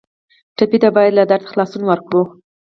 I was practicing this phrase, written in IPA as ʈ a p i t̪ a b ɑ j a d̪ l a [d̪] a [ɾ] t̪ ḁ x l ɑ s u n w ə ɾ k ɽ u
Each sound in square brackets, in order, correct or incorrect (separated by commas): correct, correct